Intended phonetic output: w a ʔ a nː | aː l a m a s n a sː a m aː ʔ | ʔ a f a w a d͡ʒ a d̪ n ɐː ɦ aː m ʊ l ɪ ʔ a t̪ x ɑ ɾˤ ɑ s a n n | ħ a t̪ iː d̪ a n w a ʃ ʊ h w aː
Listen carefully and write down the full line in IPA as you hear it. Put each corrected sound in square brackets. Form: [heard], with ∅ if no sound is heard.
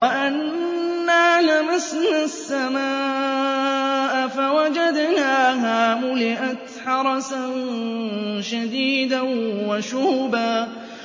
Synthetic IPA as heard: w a ʔ a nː | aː l a m a s n a sː a m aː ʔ | ʔ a f a w a d͡ʒ a d̪ n [aː] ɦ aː m ʊ l ɪ ʔ a t̪ [ħ] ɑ ɾˤ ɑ s a n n | [ʃ] a [d̪] iː d̪ a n w a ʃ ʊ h [b] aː